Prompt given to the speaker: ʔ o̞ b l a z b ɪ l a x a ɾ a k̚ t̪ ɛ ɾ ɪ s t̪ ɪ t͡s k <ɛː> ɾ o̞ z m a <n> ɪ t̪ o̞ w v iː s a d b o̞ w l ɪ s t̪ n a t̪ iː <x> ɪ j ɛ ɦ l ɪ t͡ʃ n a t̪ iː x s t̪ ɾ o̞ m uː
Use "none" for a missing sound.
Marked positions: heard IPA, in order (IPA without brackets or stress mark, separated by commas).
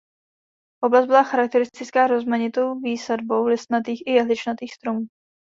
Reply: aː, ɲ, x